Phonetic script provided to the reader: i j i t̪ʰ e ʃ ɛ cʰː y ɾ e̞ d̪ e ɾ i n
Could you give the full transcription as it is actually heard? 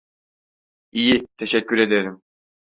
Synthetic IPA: i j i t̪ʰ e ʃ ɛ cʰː y ɾ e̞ d̪ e ɾ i m